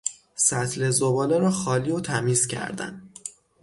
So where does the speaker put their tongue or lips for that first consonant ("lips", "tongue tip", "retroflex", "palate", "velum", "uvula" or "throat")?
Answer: tongue tip